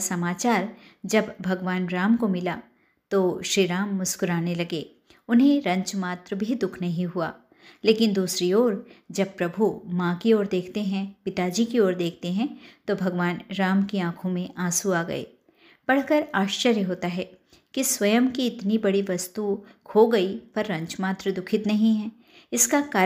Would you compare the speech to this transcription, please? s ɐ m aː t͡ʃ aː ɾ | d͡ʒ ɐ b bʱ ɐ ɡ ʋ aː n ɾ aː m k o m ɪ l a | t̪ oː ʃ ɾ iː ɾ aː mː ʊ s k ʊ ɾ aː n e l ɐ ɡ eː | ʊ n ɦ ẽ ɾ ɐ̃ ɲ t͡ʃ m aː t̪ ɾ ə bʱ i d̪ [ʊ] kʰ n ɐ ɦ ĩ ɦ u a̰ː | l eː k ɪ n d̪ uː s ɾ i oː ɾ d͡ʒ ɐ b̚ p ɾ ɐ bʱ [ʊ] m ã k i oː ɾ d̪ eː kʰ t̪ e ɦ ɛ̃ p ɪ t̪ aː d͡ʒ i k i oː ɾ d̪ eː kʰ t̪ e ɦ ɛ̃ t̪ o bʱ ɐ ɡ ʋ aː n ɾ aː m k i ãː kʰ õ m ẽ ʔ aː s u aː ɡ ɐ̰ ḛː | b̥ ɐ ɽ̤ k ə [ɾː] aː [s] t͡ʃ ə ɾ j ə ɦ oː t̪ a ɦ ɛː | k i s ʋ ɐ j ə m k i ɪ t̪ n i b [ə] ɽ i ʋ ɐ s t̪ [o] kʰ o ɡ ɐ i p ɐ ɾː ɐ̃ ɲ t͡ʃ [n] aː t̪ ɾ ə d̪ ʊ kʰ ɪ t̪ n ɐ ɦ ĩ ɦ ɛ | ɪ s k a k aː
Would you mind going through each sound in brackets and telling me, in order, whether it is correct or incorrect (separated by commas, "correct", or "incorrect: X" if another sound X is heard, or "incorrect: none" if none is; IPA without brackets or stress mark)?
correct, incorrect: u, incorrect: ɾ, incorrect: ʃ, incorrect: ɐ, incorrect: u, incorrect: m